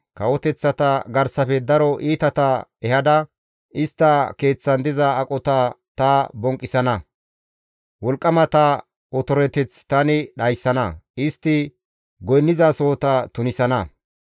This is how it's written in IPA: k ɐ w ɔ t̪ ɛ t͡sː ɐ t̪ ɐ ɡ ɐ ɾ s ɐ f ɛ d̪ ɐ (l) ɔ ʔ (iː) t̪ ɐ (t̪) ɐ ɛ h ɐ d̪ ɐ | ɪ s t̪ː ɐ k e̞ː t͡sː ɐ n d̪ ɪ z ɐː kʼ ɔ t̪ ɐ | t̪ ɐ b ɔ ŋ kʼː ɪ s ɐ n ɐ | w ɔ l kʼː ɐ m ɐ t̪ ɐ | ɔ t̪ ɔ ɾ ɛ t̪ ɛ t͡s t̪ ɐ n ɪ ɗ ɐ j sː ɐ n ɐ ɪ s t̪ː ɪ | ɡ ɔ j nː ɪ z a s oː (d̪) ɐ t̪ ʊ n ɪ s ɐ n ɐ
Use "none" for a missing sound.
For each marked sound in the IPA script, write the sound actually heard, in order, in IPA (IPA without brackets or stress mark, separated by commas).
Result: ɾ, iː, t̪, t̪